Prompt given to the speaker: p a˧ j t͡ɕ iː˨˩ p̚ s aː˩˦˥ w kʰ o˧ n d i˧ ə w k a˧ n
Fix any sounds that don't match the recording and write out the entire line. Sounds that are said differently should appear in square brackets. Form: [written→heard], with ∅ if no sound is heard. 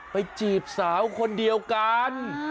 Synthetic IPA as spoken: p a˧ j t͡ɕ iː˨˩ p̚ s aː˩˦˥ w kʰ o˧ n d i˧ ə w k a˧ n